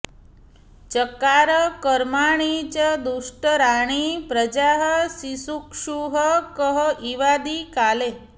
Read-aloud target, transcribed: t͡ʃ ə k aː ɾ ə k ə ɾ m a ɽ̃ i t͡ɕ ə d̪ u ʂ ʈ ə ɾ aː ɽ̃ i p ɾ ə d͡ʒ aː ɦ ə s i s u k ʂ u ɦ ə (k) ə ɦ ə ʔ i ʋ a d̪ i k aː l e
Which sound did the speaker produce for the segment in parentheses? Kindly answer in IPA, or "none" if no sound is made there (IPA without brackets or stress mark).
k